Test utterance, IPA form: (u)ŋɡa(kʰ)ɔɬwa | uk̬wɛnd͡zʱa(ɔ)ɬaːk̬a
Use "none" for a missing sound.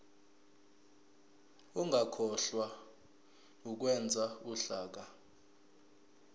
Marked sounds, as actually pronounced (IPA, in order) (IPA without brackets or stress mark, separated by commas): u, kʰ, u